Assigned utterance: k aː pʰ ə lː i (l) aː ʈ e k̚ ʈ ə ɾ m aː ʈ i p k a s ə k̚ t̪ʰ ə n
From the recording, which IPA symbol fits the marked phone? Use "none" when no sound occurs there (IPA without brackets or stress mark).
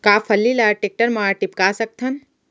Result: l